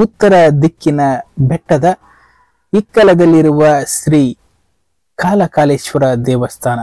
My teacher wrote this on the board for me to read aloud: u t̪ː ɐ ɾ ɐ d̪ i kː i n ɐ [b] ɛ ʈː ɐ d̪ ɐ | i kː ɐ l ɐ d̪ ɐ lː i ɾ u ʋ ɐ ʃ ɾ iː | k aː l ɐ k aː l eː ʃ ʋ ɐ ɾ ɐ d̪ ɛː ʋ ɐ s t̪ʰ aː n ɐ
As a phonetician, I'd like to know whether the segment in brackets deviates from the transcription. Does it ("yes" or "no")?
no